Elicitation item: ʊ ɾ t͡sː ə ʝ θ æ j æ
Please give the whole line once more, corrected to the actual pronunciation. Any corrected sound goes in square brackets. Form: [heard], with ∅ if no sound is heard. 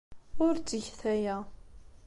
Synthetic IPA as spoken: ʊ ɾ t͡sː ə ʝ θ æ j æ